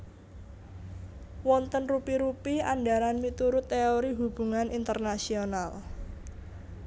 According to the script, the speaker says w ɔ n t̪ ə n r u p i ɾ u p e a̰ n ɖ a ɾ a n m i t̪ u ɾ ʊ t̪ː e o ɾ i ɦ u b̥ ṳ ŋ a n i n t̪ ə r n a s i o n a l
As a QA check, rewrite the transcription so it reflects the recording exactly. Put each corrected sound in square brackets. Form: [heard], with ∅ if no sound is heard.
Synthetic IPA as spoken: w ɔ n t̪ ə n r u p i ɾ u p [i] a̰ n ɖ a ɾ a n m i t̪ u ɾ ʊ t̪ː e o ɾ i ɦ u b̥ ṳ ŋ a n i n t̪ ə r n a s i o n a l